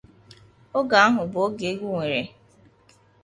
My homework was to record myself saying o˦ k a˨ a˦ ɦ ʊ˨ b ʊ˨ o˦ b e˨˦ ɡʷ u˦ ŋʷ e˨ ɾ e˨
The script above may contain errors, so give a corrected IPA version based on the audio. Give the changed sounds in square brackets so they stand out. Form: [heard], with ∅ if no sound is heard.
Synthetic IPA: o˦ [ɡ] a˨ a˦ ɦ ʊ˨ b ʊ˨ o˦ [ɡ] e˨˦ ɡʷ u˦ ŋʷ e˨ ɾ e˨